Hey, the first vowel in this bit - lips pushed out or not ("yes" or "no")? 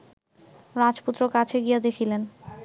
no